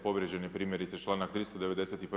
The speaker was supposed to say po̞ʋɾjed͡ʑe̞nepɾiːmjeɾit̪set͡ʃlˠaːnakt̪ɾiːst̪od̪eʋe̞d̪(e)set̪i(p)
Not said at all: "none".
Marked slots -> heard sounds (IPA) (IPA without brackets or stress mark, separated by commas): e, p